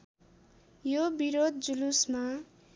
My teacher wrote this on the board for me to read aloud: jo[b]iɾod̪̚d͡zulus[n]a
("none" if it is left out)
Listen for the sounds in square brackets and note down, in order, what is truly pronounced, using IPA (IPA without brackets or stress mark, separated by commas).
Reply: b, m